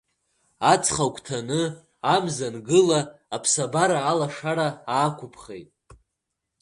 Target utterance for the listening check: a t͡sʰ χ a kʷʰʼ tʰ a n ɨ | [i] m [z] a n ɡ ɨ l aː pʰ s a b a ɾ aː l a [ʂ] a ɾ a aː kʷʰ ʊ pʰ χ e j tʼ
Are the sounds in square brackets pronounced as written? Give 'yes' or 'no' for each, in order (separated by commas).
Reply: no, yes, yes